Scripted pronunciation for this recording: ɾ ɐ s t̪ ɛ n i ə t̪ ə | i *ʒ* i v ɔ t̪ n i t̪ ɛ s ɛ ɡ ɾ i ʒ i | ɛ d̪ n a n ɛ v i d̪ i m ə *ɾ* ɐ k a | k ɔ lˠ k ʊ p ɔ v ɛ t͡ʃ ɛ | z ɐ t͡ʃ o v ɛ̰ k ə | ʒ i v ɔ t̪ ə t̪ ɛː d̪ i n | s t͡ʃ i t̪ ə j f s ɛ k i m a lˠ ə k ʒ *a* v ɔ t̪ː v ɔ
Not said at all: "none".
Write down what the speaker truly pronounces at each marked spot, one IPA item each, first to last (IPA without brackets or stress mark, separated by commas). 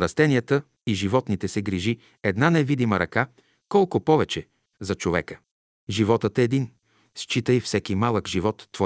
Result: ʒ, ɾ, i